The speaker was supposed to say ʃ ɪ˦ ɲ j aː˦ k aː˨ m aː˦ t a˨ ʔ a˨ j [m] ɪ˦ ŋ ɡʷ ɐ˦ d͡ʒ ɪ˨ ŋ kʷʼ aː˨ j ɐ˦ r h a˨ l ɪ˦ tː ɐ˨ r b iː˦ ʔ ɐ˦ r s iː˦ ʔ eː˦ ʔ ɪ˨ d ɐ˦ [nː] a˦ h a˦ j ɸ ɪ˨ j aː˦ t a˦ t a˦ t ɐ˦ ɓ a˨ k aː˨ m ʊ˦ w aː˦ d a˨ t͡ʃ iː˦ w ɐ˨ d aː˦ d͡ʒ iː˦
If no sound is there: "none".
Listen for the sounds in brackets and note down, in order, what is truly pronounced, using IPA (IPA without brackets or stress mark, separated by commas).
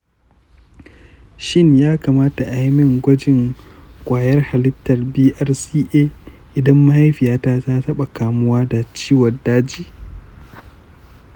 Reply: m, mː